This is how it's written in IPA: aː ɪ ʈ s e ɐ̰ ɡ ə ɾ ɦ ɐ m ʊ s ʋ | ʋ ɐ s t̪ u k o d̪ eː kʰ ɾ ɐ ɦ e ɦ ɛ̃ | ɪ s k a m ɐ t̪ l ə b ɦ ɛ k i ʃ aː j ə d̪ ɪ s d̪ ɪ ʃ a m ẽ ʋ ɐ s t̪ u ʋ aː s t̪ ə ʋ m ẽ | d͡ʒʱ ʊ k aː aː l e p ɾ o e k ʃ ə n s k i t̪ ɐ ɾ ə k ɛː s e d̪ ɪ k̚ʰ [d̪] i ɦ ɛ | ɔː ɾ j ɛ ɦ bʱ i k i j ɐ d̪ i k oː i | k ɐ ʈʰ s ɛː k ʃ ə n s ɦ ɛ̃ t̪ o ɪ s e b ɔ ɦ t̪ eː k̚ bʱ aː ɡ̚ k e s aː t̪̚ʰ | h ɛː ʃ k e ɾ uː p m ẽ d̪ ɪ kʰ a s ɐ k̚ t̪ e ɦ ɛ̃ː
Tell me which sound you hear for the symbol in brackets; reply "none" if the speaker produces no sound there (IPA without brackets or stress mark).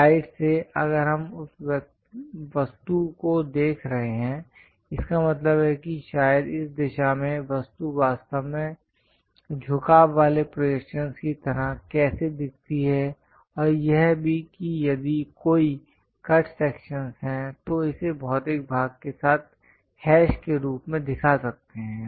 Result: t̪